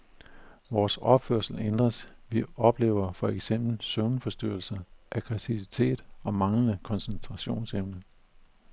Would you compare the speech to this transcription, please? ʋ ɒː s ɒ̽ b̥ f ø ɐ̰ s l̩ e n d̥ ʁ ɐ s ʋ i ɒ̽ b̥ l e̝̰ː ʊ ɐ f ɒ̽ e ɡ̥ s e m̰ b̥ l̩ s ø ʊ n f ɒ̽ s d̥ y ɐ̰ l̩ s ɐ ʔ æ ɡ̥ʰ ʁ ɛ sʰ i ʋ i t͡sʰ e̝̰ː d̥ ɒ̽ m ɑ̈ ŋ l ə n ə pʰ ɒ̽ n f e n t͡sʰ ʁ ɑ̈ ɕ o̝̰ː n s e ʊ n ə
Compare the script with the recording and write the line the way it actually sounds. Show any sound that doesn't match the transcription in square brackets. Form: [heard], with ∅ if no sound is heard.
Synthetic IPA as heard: ʋ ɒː s ɒ̽ b̥ f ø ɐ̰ s l̩ e n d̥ ʁ ɐ s ʋ i ɒ̽ b̥ l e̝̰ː ʊ ɐ f ɒ̽ e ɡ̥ s e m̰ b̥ l̩ s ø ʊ n f ɒ̽ s d̥ y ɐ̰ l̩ s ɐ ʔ æ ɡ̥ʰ ʁ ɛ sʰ i ʋ i t͡sʰ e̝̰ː d̥ ɒ̽ m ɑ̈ ŋ l ə n ə [kʰ] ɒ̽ n [s] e n t͡sʰ ʁ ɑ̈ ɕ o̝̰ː n s e ʊ n ə